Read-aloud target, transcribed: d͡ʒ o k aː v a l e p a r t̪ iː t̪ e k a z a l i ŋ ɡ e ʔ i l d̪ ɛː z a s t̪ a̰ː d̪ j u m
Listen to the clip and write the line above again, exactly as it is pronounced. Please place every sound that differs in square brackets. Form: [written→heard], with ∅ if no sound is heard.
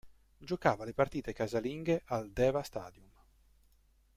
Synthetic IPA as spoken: d͡ʒ o k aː v a l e p a r t̪ iː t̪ e k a z a l i ŋ ɡ e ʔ [i→a] l d̪ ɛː [z→v] a s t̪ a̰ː d̪ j u m